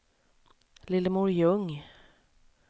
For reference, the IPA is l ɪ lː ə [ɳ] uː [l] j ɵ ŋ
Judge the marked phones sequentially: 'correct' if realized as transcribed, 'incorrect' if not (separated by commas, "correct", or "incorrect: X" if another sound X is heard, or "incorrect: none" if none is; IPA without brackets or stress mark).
incorrect: m, incorrect: ɾ